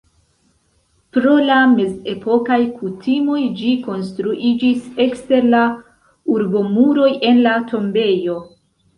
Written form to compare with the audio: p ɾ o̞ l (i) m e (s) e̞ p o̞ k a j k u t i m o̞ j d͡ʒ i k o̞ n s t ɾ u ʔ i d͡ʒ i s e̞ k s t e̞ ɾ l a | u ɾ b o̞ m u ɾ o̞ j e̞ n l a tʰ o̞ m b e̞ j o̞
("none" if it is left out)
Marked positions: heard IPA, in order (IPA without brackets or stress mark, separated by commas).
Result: a, z